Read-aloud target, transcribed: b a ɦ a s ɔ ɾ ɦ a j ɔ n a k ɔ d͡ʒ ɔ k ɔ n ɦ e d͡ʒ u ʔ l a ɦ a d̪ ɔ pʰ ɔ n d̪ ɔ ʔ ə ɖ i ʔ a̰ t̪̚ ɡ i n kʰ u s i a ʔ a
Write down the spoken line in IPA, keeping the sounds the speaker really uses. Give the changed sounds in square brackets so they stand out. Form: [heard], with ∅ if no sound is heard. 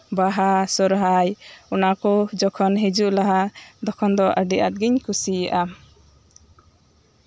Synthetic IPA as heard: b a ɦ a s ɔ ɾ ɦ a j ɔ n a k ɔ d͡ʒ ɔ [kʰ] ɔ n ɦ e d͡ʒ u ʔ l a ɦ a d̪ ɔ [kʰ] ɔ n d̪ ɔ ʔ ə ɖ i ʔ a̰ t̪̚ ɡ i [ɲ] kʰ u s i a ʔ a